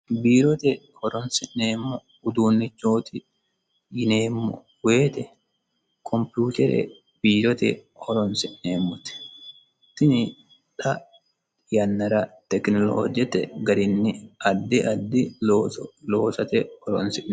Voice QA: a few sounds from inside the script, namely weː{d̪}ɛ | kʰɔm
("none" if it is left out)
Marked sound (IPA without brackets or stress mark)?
t̪